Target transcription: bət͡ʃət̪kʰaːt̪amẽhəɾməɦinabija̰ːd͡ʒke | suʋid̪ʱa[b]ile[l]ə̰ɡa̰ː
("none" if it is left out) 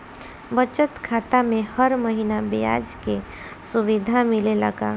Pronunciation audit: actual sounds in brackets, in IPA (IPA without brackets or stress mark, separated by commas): m, l